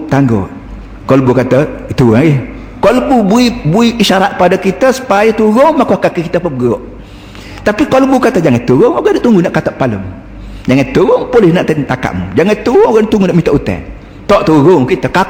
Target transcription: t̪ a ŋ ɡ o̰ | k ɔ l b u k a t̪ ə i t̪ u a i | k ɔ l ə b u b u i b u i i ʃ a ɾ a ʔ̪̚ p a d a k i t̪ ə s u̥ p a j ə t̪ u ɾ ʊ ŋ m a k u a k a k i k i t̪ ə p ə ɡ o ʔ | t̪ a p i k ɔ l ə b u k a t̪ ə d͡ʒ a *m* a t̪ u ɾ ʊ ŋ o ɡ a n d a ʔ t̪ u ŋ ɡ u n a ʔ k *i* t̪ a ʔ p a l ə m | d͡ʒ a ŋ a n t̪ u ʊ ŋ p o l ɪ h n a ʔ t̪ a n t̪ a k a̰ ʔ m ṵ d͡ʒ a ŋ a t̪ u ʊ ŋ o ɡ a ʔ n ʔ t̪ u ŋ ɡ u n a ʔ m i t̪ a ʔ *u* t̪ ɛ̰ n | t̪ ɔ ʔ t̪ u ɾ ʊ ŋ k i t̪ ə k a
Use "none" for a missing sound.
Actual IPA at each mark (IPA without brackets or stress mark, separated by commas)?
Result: ŋ, a, u